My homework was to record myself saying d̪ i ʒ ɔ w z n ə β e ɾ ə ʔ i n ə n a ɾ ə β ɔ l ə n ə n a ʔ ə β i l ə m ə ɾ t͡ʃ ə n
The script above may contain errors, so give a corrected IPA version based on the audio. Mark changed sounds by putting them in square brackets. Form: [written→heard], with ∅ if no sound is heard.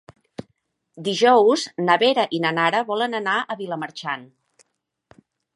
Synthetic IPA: d̪ i ʒ ɔ w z n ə β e ɾ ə ʔ i n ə n a ɾ ə β ɔ l ə n ə n a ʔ ə β i l ə m ə ɾ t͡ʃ [ə→a] n